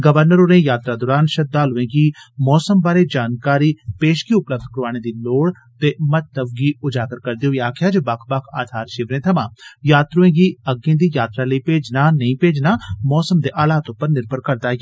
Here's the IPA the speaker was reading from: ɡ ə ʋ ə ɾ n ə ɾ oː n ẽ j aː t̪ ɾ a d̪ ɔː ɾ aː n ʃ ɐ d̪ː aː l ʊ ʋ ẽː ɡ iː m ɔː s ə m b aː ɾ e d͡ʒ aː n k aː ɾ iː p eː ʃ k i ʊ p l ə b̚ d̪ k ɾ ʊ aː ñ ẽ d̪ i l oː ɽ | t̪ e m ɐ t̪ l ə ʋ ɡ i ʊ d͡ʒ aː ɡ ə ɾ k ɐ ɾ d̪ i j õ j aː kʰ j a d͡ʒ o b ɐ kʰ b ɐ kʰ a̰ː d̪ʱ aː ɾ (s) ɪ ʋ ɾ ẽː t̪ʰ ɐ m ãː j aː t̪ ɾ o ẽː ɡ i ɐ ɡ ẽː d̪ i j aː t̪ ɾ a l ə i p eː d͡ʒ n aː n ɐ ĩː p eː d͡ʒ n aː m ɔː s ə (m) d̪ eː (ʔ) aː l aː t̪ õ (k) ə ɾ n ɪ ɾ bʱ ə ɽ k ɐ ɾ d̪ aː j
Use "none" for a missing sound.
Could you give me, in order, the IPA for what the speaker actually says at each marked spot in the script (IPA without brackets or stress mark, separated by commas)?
ʃ, m, ʔ, p